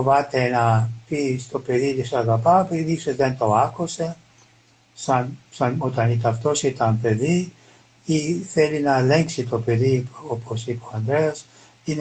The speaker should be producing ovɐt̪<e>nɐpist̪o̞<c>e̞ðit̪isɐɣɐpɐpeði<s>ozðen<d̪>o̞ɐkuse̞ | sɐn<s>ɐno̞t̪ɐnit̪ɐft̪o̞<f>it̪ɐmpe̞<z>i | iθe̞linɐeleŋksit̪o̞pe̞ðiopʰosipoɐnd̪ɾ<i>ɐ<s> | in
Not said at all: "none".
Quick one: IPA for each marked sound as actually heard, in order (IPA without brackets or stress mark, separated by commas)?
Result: e, p, s, t̪, s, s, ð, e, s